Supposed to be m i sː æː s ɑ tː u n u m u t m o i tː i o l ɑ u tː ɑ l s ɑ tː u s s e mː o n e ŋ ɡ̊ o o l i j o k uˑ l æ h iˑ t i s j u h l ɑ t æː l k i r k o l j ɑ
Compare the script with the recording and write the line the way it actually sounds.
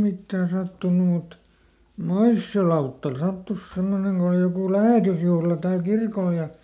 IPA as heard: m i tː æː s ɑ tː u n u m u t m o i sː i o l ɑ u tː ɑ l s ɑ tː u s s e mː o n e ŋ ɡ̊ o o l i j o k uˑ l æ h eˑ t y s j u h l ɑ t æː l k i r k o l j ɑ